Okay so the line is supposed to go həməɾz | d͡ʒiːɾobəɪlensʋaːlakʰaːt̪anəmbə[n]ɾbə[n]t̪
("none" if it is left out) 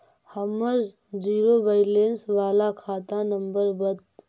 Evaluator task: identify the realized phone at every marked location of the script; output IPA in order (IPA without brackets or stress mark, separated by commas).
none, none